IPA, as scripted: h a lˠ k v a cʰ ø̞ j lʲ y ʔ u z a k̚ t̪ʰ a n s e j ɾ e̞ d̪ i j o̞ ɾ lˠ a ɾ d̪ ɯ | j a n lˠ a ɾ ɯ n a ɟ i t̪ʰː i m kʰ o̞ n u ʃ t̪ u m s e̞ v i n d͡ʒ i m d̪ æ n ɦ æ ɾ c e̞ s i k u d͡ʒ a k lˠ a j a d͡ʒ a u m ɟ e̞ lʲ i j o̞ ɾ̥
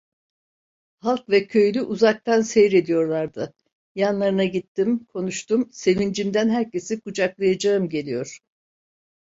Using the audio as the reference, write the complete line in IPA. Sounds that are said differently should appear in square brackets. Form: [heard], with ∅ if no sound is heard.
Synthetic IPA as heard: h a lˠ k v [ɛ] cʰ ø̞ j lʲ y ʔ u z a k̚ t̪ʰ a n s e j ɾ e̞ d̪ i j o̞ ɾ lˠ a ɾ d̪ ɯ | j a n lˠ a ɾ ɯ n a ɟ i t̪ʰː i m kʰ o̞ n u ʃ t̪ u m s e̞ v i n d͡ʒ i m d̪ æ n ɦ æ ɾ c e̞ s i k u d͡ʒ a k lˠ a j a d͡ʒ a [ɯ] m ɟ e̞ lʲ i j o̞ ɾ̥